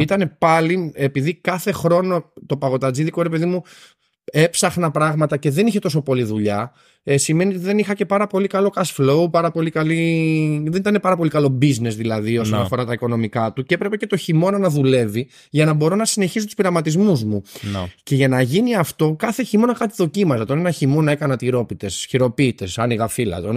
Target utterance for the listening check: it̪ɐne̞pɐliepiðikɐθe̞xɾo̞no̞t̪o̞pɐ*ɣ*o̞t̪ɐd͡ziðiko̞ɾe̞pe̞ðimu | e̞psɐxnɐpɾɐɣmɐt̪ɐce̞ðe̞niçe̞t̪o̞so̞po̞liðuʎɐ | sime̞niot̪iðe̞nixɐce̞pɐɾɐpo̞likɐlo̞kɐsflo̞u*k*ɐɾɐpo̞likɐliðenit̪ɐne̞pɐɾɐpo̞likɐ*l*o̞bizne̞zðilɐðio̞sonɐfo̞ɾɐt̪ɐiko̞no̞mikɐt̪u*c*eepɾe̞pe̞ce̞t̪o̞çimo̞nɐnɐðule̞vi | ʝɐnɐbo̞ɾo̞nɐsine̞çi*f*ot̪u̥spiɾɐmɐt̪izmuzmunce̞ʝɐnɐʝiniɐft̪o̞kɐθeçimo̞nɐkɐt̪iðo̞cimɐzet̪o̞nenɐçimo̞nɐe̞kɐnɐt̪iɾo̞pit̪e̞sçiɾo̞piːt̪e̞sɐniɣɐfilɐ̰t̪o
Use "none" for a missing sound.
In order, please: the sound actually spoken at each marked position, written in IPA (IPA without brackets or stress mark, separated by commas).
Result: ɣ, p, l, c, s